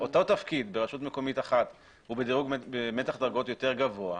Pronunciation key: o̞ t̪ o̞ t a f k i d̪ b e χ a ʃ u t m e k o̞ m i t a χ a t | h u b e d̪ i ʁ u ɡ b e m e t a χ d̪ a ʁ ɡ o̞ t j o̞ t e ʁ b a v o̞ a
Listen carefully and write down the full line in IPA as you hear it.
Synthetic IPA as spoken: o̞ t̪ o̞ t a f k i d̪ b e ʁ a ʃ u t m e k o̞ m i t a χ a t | h u b e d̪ i ʁ u ɡ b e m e t a χ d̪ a ʁ ɡ o̞ t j o̞ t e ʁ ɡ a v o̞ a